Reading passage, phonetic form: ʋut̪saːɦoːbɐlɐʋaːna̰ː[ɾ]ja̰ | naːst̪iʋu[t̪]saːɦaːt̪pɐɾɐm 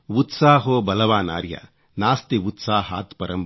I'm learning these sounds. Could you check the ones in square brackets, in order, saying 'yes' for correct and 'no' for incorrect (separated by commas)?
yes, yes